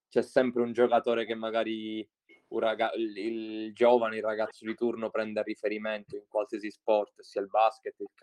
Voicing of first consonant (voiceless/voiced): voiceless